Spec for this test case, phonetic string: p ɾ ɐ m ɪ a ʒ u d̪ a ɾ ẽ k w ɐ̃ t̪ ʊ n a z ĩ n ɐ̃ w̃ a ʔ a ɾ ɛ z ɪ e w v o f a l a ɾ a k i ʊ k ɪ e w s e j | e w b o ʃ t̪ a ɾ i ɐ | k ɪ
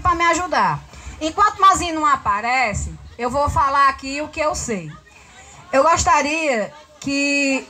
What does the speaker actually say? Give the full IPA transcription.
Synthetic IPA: p ɾ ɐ m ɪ a ʒ u d̪ a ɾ ẽ k w ɐ̃ t̪ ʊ m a z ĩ n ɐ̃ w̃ a p a ɾ ɛ s ɪ e w v o f a l a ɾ a k i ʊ k ɪ e w s e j | e w ɡ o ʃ t̪ a ɾ i ɐ | k ɪ